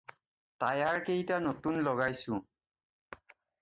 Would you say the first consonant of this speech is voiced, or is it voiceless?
voiceless